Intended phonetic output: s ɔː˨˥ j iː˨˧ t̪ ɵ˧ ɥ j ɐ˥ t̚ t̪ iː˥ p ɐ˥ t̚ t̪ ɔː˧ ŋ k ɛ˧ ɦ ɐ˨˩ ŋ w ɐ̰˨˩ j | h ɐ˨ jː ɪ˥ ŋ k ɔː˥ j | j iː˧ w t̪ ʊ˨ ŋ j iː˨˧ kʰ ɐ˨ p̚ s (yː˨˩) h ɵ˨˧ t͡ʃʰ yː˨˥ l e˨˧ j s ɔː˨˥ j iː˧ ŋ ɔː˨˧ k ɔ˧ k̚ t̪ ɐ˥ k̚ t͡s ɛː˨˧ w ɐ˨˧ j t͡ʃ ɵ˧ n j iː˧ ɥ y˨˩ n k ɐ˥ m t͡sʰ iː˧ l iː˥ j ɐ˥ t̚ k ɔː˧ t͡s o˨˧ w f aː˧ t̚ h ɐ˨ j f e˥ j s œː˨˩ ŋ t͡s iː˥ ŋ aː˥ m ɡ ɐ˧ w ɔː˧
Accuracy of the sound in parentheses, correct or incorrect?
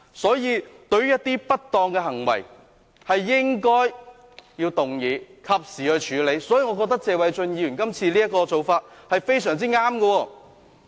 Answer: incorrect